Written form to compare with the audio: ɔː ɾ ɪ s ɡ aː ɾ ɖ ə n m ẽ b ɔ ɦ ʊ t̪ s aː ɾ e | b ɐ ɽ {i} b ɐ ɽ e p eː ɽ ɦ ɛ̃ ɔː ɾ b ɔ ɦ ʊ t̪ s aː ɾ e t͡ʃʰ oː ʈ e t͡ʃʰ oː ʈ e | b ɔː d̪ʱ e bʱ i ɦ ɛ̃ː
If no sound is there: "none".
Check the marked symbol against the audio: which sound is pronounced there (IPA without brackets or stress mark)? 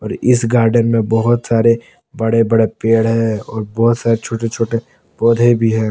e